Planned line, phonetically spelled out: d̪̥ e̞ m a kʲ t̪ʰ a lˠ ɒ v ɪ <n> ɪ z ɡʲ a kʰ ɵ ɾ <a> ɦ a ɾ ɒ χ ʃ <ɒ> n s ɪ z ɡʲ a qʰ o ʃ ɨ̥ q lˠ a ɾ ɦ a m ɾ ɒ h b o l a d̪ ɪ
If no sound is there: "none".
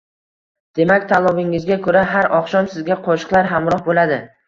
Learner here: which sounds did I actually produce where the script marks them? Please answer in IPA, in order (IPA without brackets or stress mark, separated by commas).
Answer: ŋ, a, ɒ